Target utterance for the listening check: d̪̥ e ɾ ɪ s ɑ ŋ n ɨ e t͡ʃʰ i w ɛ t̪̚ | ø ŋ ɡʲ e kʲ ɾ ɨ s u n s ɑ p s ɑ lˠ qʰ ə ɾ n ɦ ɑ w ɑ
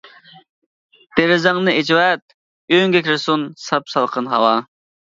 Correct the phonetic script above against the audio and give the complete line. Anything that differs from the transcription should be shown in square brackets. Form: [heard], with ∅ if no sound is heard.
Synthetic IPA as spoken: d̪̥ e ɾ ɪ [z] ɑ ŋ n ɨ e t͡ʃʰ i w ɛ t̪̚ | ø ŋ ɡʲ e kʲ ɾ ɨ s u n s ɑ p s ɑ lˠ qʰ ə [∅] n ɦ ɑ w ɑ